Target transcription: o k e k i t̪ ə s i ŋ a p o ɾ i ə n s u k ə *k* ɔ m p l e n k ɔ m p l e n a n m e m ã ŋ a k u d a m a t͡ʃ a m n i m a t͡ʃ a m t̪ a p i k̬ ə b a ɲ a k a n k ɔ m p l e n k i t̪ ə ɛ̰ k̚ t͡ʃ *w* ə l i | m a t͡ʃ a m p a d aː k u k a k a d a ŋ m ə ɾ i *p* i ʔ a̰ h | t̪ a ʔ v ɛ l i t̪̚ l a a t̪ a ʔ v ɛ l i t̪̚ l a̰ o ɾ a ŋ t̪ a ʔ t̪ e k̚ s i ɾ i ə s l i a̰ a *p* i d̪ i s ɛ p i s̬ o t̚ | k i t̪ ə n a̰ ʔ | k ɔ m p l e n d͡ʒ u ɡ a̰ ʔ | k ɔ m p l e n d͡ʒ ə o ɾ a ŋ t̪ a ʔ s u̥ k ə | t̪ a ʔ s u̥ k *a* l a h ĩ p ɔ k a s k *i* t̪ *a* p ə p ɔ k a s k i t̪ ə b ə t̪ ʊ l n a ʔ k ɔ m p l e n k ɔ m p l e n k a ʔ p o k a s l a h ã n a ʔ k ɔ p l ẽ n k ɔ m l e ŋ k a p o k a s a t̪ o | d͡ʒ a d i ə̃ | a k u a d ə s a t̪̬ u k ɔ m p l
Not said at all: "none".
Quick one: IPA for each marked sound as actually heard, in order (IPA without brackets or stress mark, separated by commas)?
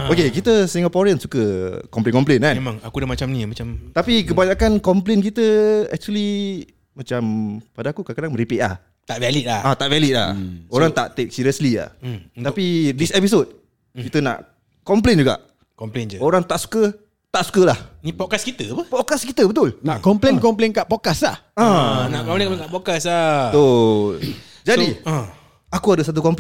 k, u, p, p, ə, i, ə